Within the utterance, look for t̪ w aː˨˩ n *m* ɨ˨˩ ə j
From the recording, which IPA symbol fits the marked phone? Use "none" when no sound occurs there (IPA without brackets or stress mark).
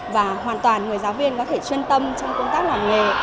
ŋ